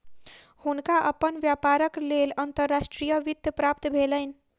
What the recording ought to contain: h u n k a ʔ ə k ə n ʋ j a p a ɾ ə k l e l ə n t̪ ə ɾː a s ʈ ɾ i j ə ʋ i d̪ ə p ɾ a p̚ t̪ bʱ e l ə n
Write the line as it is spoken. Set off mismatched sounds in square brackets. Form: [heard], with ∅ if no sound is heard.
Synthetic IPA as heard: h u n k a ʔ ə [p] ə n ʋ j a p a ɾ ə k l e l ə n t̪ ə ɾː a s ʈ ɾ i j ə ʋ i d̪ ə p ɾ a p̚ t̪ bʱ e l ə n